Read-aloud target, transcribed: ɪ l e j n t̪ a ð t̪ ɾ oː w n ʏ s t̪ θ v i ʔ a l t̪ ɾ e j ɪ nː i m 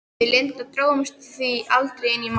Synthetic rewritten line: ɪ l e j n t̪ a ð t̪ ɾ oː w m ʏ s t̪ θ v i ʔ a l t̪ ɾ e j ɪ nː i m